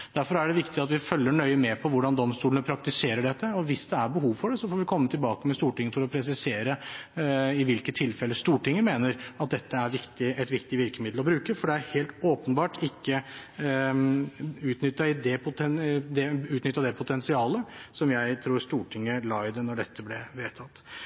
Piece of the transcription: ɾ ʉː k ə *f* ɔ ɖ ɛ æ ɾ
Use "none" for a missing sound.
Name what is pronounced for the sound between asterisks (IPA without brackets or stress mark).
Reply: f